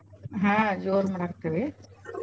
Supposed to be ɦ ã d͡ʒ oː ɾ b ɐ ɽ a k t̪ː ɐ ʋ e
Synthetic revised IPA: ɦ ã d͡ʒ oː ɾ m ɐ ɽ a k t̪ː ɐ ʋ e